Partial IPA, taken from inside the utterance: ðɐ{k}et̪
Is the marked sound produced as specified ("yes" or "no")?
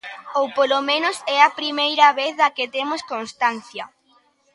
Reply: yes